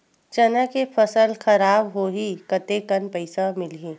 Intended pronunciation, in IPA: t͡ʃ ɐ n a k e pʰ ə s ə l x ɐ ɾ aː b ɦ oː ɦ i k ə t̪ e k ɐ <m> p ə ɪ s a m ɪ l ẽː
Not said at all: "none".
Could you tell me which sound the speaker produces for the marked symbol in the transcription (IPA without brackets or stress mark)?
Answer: n